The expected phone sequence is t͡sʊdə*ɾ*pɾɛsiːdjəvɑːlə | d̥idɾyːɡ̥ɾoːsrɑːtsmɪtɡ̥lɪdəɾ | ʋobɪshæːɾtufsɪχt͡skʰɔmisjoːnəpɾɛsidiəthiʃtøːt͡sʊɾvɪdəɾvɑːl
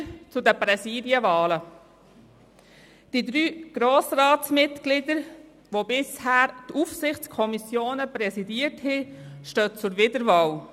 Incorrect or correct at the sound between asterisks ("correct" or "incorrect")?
incorrect